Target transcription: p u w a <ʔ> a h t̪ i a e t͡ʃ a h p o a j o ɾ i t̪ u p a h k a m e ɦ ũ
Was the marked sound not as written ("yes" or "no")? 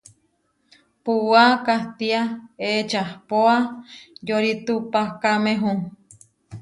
yes